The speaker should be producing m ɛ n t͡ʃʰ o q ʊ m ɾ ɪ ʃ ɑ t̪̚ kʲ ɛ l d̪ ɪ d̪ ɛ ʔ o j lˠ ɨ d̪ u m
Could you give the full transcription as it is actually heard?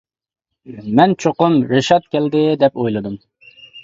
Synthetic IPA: m ɛ n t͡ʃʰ o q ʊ m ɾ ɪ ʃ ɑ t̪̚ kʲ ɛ l d̪ ɪ d̪ ɛ p o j lˠ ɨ d̪ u m